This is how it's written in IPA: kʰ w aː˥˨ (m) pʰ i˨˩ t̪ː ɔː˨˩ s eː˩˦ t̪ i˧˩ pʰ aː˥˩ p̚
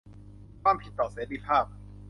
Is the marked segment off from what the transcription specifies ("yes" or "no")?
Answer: no